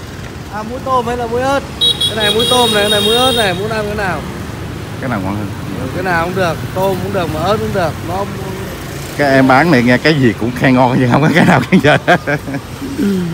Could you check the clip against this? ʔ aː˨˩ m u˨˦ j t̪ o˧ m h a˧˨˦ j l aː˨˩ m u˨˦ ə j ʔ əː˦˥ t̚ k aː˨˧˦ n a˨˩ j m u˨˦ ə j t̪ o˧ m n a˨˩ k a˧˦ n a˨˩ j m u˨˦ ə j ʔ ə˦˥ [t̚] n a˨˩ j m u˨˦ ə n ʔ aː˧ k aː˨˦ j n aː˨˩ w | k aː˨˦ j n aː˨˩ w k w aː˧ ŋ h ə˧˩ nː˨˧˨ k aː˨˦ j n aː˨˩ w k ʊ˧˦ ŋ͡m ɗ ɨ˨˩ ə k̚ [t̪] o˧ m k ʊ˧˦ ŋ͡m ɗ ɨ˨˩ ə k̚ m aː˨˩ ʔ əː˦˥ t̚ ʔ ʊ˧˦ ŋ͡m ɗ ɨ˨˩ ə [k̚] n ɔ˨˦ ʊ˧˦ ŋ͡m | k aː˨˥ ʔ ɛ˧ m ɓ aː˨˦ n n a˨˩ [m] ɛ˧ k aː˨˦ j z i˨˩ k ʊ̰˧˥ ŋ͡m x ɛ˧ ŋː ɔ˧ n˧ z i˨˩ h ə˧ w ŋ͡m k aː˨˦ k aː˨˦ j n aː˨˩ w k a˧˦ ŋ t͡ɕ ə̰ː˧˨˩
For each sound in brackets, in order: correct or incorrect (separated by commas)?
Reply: correct, correct, correct, incorrect